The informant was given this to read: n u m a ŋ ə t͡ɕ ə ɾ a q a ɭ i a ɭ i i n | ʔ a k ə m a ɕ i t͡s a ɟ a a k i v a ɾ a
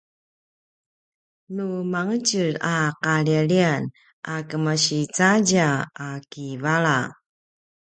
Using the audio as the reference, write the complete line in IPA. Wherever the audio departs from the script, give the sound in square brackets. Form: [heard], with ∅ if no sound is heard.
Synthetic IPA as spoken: n u m a ŋ ə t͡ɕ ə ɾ a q a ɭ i a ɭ i [a] n | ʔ a k ə m a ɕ i t͡s a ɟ a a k i v a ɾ a